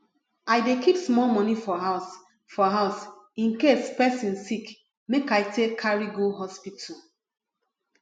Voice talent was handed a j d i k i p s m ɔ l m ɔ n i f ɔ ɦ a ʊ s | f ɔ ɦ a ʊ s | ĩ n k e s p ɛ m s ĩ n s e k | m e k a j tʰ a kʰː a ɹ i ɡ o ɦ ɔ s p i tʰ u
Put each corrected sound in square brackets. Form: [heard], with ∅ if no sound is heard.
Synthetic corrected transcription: a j d [e] k i p s m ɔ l m ɔ n i f ɔ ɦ a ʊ s | f ɔ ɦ a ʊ s | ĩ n k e s p ɛ [∅] s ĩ n s [i] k | m e k a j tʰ [e] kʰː a ɹ i ɡ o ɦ ɔ s p i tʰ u